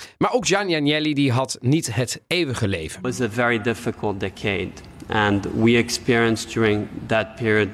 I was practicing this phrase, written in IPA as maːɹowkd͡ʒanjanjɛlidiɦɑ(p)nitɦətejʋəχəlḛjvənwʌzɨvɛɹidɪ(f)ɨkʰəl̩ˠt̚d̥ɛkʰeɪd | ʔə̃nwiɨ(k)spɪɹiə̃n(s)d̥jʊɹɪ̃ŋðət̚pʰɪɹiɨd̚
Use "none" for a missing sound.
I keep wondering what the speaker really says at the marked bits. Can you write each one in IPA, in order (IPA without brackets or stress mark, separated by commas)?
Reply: t, f, k, s